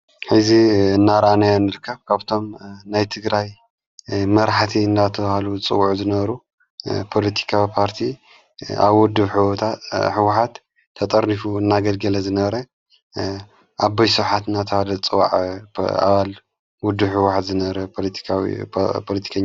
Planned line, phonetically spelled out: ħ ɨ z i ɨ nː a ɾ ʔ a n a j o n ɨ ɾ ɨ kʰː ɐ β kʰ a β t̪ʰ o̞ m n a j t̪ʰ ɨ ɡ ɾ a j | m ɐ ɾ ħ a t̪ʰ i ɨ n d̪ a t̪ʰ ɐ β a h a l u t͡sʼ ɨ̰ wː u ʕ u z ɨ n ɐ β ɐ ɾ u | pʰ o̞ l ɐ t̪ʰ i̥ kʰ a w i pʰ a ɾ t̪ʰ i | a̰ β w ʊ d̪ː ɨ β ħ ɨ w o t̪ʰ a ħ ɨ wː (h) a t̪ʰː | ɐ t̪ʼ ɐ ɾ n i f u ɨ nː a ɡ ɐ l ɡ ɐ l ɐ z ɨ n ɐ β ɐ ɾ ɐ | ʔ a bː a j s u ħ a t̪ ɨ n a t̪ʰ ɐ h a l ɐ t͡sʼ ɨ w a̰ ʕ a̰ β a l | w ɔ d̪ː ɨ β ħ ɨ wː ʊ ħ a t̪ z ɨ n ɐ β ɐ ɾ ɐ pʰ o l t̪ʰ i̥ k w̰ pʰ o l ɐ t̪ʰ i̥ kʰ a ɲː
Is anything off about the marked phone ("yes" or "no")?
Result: yes